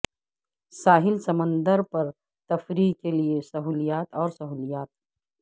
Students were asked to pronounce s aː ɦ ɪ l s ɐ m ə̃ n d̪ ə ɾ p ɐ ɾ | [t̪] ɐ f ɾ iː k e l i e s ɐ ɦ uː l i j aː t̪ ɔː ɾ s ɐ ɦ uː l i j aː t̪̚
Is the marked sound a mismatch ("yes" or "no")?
no